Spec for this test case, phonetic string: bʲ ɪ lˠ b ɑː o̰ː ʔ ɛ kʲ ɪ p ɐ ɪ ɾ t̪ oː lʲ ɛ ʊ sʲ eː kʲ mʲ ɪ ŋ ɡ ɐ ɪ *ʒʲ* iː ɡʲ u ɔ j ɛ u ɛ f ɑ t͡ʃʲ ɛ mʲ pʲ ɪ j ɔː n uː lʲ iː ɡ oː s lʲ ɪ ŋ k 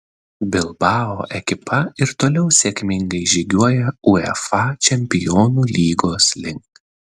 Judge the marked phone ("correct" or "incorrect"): correct